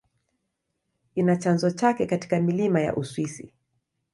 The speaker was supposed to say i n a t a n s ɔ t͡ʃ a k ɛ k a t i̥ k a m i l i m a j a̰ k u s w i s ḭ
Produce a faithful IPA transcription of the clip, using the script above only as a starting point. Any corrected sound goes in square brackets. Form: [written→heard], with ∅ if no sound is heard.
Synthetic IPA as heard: i n a [t→t͡ʃ] a n [s→z] ɔ t͡ʃ a k ɛ k a t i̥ k a m i l i m a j a̰ [k→ʔ] u s w i s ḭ